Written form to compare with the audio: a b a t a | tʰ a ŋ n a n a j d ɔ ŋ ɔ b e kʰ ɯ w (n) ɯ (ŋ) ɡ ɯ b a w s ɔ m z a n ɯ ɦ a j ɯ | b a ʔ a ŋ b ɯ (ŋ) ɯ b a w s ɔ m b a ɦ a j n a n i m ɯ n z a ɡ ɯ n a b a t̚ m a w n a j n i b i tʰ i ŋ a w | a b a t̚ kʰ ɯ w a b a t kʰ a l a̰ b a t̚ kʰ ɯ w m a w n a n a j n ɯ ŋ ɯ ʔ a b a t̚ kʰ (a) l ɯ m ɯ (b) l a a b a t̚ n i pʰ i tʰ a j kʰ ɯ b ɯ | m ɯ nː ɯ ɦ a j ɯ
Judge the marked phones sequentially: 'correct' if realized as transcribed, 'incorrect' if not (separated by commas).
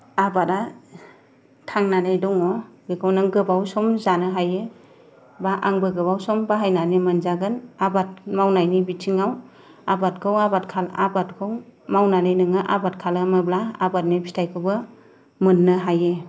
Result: correct, correct, incorrect, correct, correct